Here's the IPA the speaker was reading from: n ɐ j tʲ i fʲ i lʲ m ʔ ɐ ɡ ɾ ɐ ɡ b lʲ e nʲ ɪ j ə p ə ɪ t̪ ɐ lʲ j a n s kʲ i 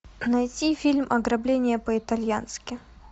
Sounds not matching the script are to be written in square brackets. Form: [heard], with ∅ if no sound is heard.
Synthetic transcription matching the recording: n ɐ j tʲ i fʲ i lʲ m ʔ ɐ ɡ ɾ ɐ [∅] b lʲ e nʲ ɪ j ə p ə ɪ t̪ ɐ lʲ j a n s kʲ [ɪ]

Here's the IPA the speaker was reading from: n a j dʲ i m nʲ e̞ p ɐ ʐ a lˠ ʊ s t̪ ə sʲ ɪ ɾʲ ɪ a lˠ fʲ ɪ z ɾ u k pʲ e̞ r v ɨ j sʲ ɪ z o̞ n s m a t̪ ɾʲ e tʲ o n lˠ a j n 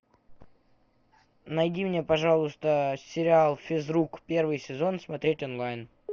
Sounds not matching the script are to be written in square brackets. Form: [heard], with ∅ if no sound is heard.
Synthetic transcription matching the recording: n [ɐ] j dʲ i m nʲ e̞ p ɐ ʐ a lˠ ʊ s t̪ ə sʲ ɪ ɾʲ ɪ a lˠ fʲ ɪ z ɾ u k pʲ e̞ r v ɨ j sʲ ɪ z o̞ n s m [ɐ] t̪ ɾʲ e tʲ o n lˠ a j n

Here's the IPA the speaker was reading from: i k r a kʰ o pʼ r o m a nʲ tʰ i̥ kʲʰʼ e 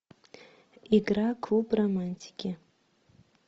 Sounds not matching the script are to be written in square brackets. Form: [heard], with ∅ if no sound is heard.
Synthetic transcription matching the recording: i [ɡ] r a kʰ [u] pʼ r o m a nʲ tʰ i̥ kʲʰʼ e

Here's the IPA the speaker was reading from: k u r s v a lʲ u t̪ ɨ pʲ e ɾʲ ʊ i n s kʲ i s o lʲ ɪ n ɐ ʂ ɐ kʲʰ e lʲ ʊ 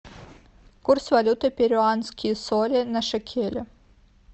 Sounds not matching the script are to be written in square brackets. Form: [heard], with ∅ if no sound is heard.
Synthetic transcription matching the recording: k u r s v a lʲ u t̪ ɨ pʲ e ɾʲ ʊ [a] n s kʲ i s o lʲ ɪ n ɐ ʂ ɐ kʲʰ e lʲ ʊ

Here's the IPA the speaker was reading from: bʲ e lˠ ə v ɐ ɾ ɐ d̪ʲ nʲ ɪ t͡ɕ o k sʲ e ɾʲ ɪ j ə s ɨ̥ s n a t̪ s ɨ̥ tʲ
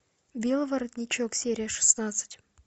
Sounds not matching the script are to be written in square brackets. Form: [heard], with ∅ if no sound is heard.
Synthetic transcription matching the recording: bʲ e lˠ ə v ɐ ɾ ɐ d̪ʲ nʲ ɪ t͡ɕ o k sʲ e ɾʲ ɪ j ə [ʂ] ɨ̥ s n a t̪ s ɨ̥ tʲ

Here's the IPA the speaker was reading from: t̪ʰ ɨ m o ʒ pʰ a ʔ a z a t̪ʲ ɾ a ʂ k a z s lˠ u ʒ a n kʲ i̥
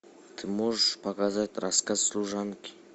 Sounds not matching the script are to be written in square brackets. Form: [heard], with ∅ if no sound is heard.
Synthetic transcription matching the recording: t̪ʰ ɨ m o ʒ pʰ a [k] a z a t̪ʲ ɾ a [s] k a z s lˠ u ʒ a n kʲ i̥

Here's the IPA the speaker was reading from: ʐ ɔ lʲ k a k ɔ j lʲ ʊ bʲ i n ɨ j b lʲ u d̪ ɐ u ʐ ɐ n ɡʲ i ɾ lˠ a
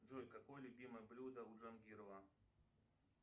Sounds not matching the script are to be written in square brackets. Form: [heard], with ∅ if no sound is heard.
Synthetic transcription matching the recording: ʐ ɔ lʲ k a k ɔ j lʲ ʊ bʲ i [m] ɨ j b lʲ u d̪ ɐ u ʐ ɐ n ɡʲ i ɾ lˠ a

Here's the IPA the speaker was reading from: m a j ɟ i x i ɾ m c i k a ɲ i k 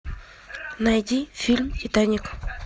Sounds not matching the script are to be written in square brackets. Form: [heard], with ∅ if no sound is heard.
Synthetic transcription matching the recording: [n] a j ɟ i [f] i [l] m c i [t] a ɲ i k

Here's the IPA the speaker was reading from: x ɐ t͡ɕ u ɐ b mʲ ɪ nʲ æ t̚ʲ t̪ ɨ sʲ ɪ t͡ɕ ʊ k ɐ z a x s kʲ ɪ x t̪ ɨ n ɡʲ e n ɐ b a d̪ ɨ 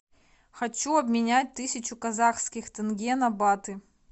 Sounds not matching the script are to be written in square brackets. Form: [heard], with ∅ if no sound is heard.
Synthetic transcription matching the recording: x ɐ t͡ɕ u ɐ b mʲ ɪ nʲ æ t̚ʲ t̪ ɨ sʲ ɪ t͡ɕ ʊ k ɐ z a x s kʲ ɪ x t̪ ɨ n ɡʲ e n ɐ b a [t̪] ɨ

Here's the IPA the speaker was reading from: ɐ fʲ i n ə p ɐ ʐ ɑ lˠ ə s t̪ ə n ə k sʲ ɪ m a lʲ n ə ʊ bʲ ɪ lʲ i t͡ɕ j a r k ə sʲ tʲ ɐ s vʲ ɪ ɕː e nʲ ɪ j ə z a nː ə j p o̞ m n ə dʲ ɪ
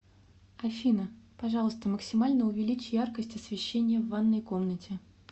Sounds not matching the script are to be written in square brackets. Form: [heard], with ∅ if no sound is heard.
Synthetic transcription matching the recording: ɐ fʲ i n ə p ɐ ʐ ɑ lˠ ə s t̪ ə [m] ə k sʲ ɪ m a lʲ n ə ʊ [vʲ] ɪ lʲ i t͡ɕ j a r k ə sʲ tʲ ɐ s vʲ ɪ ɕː e nʲ ɪ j ə [v] a nː ə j [k] o̞ m n ə [tʲ] ɪ

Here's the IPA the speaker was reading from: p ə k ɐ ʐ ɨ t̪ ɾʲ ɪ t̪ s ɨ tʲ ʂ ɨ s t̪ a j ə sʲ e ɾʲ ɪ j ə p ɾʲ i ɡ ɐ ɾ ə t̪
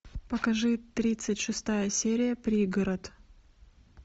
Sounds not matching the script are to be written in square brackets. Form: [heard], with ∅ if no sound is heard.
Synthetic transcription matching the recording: p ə k ɐ ʐ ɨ t̪ ɾʲ [i] t̪ s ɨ tʲ ʂ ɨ s t̪ a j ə sʲ e ɾʲ ɪ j ə p ɾʲ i ɡ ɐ ɾ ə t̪

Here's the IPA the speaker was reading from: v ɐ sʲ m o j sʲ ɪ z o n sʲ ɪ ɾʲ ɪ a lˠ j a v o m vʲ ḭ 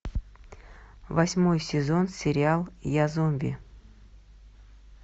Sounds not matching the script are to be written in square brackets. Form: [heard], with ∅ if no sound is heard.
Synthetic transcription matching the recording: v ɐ sʲ m o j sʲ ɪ z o n sʲ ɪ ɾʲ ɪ a lˠ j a [z] o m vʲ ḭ

